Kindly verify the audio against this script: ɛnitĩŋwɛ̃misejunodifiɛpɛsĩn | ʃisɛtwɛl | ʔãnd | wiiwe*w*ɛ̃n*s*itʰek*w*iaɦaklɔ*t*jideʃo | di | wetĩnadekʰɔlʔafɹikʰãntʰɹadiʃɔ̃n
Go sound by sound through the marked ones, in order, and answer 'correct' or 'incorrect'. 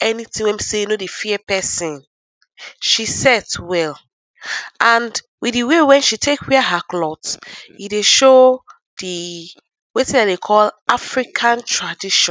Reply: correct, incorrect: ʃ, correct, correct

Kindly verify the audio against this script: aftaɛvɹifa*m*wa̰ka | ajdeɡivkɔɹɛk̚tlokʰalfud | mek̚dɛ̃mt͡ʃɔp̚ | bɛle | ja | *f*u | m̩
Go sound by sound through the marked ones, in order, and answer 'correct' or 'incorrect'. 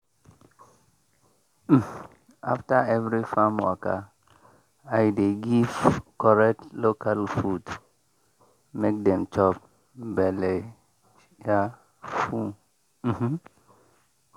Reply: correct, correct

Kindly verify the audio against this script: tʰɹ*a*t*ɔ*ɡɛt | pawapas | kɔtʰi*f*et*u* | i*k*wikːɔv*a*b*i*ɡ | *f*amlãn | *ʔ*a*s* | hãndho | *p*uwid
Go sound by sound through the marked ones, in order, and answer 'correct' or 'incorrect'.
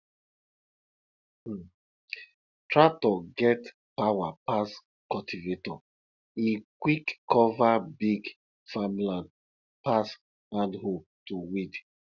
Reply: correct, correct, incorrect: v, incorrect: ɔ, correct, correct, correct, correct, incorrect: p, correct, incorrect: t

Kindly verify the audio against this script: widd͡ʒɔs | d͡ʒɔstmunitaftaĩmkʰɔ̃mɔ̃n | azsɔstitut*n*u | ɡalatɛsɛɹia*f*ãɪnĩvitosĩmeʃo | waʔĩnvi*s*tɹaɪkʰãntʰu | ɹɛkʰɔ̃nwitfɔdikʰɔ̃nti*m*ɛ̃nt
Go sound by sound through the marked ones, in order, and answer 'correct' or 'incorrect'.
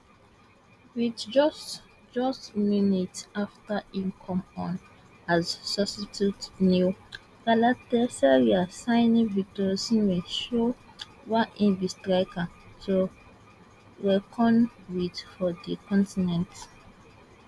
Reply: correct, incorrect: s, correct, incorrect: n

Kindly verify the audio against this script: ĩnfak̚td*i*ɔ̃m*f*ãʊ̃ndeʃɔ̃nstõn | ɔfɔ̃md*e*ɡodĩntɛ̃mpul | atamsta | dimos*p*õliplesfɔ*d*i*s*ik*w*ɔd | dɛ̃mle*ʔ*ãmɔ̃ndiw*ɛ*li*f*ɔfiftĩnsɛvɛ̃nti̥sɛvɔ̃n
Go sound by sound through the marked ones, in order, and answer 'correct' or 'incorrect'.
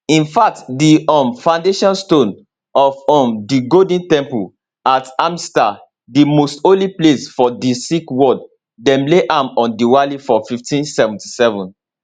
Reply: correct, correct, incorrect: i, incorrect: t, correct, correct, correct, correct, incorrect: a, correct

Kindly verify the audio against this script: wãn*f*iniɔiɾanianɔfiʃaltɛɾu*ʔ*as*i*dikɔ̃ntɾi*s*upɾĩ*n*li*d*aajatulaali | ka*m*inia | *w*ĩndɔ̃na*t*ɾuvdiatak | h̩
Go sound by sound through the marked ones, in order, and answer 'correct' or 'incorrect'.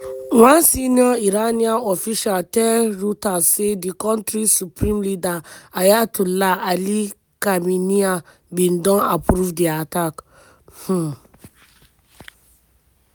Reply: incorrect: s, incorrect: t, incorrect: e, correct, incorrect: m, correct, correct, incorrect: b, incorrect: p

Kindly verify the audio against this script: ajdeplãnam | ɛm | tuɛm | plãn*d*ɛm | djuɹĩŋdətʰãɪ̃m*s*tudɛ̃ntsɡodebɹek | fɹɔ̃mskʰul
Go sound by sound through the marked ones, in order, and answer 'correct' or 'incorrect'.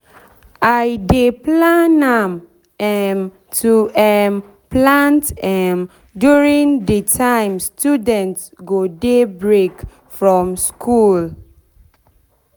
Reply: incorrect: t, correct

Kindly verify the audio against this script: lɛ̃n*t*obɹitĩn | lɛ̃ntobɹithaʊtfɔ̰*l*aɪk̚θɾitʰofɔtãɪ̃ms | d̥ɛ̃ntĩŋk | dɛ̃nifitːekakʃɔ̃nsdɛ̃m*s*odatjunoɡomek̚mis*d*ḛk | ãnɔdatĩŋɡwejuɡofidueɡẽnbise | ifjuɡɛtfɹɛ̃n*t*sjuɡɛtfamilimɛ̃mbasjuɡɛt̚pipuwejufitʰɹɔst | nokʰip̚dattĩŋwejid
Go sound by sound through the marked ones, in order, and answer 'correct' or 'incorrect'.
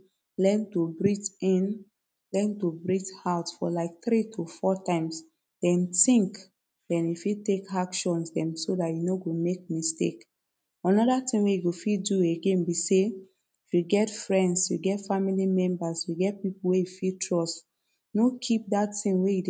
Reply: correct, correct, correct, incorrect: t, incorrect: d

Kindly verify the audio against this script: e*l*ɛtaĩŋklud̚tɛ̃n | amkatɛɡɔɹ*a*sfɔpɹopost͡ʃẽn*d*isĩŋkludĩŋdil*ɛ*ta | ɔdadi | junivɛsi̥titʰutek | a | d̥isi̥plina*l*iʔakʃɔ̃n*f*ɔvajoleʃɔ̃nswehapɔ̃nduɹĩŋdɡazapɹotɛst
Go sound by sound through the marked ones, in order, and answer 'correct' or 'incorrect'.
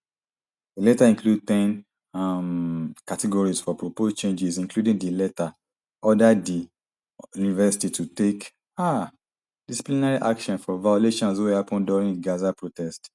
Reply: correct, incorrect: i, incorrect: d͡ʒ, correct, incorrect: ɹ, correct

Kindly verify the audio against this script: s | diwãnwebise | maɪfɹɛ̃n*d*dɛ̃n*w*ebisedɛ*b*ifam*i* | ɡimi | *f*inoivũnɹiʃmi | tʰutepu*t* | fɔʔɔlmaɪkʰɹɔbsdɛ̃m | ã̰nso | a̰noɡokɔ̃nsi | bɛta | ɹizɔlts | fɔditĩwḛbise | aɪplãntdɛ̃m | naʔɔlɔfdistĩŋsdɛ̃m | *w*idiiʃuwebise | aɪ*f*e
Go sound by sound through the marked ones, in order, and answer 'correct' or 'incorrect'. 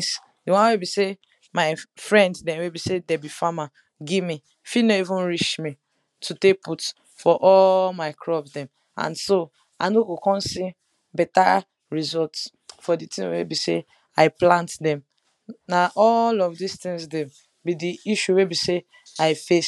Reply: correct, correct, correct, incorrect: a, correct, correct, incorrect: b, correct

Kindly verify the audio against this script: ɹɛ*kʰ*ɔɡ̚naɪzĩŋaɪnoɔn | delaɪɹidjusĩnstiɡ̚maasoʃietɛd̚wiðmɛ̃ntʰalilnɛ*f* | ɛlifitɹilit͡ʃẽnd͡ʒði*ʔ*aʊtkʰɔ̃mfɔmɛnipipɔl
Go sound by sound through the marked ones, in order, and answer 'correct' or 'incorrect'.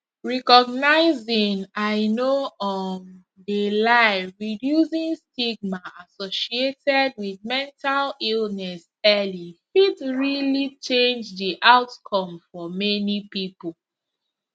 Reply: incorrect: k, incorrect: s, correct

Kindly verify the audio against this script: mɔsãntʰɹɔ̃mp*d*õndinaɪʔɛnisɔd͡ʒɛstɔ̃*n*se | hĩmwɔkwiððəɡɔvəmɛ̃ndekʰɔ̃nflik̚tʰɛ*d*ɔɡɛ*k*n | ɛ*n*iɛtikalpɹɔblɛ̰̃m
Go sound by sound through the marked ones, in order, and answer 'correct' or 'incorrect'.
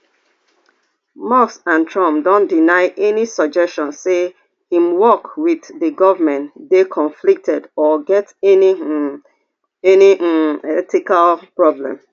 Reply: correct, correct, correct, incorrect: t, correct

